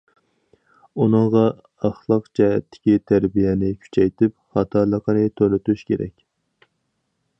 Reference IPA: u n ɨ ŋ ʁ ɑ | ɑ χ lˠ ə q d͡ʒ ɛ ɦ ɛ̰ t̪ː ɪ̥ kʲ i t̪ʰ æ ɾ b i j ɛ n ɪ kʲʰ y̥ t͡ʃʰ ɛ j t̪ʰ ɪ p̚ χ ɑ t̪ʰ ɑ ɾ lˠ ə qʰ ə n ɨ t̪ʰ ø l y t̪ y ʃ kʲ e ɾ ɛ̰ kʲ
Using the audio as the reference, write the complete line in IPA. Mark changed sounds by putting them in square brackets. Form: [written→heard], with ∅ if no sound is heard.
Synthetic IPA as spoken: u n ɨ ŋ ʁ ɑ | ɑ χ lˠ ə q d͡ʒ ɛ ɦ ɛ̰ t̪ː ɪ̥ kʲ i t̪ʰ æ ɾ b i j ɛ n ɪ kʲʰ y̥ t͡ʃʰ ɛ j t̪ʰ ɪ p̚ χ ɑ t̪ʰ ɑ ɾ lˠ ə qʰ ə n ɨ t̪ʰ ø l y t̪ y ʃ kʲ e ɾ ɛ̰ kʲ